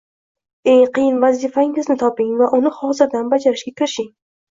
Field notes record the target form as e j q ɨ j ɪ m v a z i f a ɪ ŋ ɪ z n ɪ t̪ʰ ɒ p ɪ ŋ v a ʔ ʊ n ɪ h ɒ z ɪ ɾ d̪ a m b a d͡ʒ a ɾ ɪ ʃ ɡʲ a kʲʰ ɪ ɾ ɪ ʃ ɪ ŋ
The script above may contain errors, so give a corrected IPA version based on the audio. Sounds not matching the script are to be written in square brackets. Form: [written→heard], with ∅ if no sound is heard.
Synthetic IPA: e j q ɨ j ɪ [m→n] v a z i f a ɪ ŋ ɪ z n ɪ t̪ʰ ɒ p ɪ ŋ v a ʔ ʊ n ɪ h ɒ z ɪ ɾ d̪ a [m→n] b a d͡ʒ a ɾ ɪ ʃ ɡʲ a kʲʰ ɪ ɾ ɪ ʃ ɪ ŋ